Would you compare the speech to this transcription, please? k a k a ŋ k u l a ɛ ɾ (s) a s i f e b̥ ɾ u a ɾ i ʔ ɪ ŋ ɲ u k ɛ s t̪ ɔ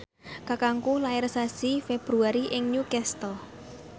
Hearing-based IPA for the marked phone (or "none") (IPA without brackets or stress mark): s